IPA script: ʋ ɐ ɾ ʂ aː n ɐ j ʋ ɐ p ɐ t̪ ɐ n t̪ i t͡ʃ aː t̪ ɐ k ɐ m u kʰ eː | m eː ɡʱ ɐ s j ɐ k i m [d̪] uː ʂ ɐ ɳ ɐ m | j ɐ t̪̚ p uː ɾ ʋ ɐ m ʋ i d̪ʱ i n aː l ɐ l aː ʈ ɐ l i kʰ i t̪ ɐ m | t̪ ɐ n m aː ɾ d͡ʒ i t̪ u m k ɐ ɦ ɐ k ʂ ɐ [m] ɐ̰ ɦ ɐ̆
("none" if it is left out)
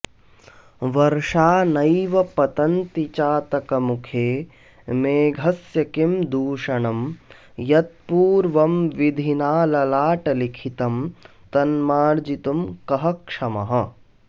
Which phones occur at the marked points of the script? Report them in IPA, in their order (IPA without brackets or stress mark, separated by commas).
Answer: d̪, m